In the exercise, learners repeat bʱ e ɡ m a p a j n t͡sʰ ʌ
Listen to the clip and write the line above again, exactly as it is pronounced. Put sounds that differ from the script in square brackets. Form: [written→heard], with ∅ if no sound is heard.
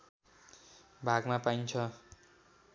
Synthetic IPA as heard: bʱ [e→a] ɡ m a p a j n t͡sʰ ʌ